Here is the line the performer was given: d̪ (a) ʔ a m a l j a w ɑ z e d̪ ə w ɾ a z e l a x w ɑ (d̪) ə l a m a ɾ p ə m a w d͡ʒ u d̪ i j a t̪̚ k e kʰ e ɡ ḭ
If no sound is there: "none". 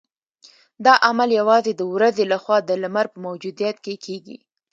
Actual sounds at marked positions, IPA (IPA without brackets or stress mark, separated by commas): ɑ, d̪